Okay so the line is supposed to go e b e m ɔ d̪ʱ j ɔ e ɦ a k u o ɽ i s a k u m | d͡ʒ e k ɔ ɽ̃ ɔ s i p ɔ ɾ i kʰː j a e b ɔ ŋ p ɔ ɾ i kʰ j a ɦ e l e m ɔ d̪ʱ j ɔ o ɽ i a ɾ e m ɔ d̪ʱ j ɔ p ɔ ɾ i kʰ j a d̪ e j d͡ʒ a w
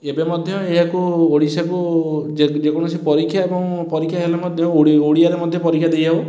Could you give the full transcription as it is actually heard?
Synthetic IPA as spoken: e b e m ɔ d̪ʱ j ɔ e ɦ a k u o ɽ i s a k u | d͡ʒ e k ɔ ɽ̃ ɔ s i p ɔ ɾ i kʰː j a e b ɔ ŋ p ɔ ɾ i kʰ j a ɦ e l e m ɔ d̪ʱ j ɔ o ɽ i a ɾ e m ɔ d̪ʱ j ɔ p ɔ ɾ i kʰ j a d̪ e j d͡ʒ a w